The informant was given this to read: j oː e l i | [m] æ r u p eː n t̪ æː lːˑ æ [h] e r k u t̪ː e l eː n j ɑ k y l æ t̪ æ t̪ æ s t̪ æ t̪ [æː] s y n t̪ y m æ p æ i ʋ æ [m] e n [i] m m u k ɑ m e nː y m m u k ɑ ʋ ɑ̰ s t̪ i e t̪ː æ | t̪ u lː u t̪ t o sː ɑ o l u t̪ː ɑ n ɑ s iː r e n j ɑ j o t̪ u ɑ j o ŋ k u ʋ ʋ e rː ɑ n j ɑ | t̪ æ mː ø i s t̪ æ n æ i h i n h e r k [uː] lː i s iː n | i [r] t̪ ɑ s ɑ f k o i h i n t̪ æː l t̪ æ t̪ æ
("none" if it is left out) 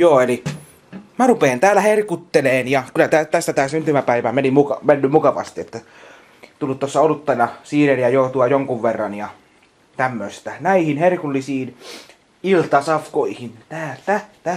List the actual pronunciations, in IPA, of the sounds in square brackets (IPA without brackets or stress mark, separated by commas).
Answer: m, h, æː, m, i, u, l